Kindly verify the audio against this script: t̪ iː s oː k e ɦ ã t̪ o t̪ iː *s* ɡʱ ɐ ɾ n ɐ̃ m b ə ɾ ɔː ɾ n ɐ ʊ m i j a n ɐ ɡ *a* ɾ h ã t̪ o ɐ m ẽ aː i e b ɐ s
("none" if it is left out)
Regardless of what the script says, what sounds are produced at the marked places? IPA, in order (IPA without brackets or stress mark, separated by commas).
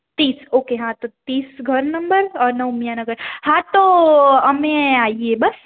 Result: s, ə